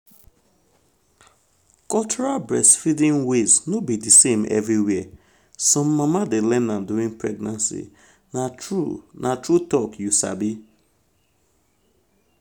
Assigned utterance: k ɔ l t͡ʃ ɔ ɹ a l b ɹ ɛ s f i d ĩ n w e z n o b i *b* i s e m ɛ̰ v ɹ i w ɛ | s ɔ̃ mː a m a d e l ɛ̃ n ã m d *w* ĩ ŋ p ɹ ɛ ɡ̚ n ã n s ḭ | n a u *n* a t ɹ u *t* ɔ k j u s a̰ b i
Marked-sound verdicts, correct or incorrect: incorrect, incorrect, correct, correct

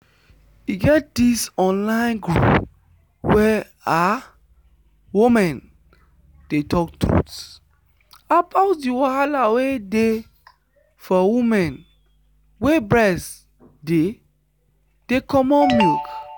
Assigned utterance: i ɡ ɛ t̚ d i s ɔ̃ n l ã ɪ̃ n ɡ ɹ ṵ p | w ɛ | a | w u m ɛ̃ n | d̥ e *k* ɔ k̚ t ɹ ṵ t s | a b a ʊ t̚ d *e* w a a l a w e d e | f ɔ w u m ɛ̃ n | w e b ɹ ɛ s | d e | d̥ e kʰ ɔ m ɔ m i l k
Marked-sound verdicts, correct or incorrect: incorrect, incorrect

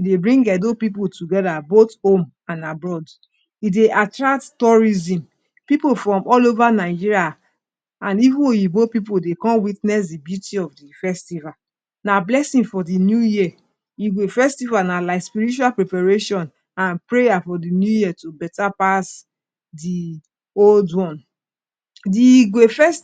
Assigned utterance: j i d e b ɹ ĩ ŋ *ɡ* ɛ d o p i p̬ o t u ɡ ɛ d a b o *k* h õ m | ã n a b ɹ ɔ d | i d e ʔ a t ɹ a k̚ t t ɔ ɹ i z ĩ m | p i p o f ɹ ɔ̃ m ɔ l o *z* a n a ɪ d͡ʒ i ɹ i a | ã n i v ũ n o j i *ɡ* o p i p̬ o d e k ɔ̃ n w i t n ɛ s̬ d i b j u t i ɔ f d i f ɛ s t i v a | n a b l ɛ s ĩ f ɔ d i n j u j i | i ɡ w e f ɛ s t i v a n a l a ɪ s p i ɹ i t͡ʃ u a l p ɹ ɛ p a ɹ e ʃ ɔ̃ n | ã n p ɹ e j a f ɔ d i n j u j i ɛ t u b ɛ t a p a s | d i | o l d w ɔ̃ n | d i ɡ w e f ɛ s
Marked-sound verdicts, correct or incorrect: correct, incorrect, incorrect, incorrect

